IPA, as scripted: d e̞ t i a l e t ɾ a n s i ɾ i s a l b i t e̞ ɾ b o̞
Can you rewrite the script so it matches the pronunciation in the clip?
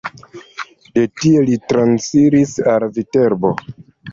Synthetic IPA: d e̞ t i e l i t ɾ a n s i ɾ i s a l v i t e̞ ɾ b o̞

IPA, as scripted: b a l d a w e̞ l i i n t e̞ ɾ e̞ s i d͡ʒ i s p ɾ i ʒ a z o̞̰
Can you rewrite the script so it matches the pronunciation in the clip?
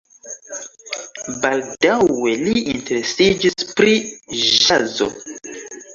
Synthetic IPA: b a l d a w e̞ l i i n t e̞ ɾ e̞ s i d͡ʒ i s p ɾ i ʒ a z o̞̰

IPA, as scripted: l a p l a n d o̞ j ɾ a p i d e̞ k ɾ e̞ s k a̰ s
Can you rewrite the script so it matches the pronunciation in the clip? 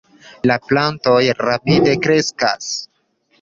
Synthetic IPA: l a p l a n t o̞ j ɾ a p i d e̞ k ɾ e̞ s k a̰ s

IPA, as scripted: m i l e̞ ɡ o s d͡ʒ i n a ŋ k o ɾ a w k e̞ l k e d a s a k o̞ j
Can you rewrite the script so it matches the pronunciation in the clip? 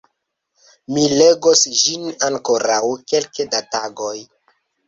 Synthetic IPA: m i l e̞ ɡ o s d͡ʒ i n a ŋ k o ɾ a w k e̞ l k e d a t a ɡ o̞ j

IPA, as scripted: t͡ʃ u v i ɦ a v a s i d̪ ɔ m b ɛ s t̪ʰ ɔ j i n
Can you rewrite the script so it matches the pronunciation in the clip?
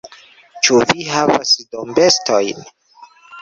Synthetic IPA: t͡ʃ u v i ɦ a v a s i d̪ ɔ m b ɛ s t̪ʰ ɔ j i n

